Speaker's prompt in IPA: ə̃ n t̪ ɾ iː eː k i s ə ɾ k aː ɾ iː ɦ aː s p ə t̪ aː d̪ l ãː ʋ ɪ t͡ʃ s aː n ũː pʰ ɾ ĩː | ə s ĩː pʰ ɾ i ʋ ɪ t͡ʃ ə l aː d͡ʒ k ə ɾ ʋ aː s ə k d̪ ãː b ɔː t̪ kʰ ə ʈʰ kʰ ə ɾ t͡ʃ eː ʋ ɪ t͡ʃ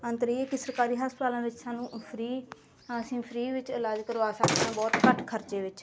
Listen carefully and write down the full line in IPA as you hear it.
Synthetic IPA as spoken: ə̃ n t̪ ɾ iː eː k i s ə ɾ k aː ɾ iː ɦ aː s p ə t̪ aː l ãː ʋ ɪ t͡ʃ s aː n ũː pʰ ɾ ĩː | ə s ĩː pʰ ɾ iː ʋ ɪ t͡ʃ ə l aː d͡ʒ k ə ɾ ʋ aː s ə k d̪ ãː b ɔː t̪ k ə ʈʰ kʰ ə ɾ t͡ʃ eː ʋ ɪ t͡ʃ